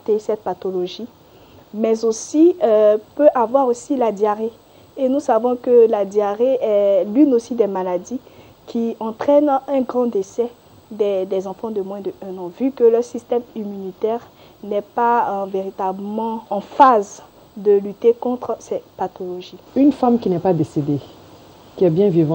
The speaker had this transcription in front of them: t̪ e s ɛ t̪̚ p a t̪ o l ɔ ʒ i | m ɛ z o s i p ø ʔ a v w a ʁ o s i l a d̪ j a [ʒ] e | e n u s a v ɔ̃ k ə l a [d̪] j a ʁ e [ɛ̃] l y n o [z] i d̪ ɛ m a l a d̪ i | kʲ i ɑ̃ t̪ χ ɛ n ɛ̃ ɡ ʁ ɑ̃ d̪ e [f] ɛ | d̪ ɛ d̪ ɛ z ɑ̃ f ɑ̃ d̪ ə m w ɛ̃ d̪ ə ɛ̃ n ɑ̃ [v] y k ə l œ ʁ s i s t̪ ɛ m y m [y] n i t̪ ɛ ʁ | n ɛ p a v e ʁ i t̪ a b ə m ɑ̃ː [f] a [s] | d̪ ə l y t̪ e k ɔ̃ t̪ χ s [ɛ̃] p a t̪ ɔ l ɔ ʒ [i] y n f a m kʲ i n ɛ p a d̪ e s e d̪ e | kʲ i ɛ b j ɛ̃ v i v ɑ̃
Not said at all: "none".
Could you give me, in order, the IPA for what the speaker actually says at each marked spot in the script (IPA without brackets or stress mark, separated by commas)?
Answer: ʁ, d̪, ɛ, s, s, v, y, f, z, ɛ, i